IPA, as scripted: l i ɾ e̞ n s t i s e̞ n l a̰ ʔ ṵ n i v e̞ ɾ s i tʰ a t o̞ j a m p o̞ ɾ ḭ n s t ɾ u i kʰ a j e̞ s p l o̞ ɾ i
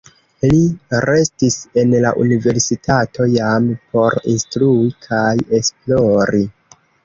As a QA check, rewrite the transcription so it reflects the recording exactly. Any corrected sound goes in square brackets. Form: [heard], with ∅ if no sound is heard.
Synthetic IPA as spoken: l i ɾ e̞ [∅] s t i s e̞ n l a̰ ʔ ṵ n i v e̞ ɾ s i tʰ a t o̞ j a m p o̞ ɾ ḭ n s t ɾ u i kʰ a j e̞ s p l o̞ ɾ i

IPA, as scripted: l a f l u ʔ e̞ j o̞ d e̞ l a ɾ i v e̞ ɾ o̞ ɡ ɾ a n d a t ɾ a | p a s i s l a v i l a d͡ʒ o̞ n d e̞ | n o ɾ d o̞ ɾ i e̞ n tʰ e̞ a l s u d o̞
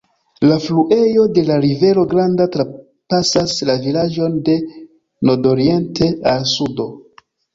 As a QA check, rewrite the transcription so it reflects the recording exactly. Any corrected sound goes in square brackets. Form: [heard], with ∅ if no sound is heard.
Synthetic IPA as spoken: l a f l u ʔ e̞ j o̞ d e̞ l a ɾ i v e̞ ɾ o̞ ɡ ɾ a n d a t ɾ a | p a s [a] s l a v i l a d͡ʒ o̞ n d e̞ | n o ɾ d o̞ ɾ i e̞ n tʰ e̞ a l s u d o̞

